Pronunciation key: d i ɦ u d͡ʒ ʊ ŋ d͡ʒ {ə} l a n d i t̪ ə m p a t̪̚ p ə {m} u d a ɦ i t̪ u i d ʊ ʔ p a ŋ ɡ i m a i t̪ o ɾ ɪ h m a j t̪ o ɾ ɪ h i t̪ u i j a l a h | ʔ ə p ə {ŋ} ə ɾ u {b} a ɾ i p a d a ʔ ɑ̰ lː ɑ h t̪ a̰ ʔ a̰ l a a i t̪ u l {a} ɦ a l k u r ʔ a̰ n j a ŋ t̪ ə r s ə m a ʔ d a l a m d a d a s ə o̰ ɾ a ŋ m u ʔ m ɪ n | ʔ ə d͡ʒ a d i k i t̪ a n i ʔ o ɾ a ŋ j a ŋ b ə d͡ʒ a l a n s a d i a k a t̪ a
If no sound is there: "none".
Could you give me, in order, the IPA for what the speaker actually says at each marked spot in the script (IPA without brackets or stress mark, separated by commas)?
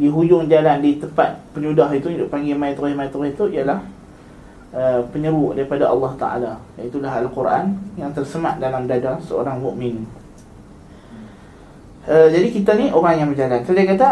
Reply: a, ɲ, ɲ, d, a